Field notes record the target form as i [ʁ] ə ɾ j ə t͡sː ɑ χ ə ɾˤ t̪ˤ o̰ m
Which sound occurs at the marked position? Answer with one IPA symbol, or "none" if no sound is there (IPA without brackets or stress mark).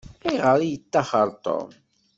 ʁ